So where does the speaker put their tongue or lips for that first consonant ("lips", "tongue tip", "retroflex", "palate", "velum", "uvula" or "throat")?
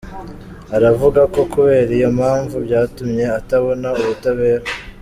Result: tongue tip